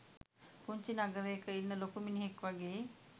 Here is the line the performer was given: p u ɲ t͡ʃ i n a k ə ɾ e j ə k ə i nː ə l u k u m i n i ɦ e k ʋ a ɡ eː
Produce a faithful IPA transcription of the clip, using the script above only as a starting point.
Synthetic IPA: p u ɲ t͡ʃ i n a ɡ ə ɾ e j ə k ə i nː ə l o k u m i n i ɦ e k ʋ a ɡ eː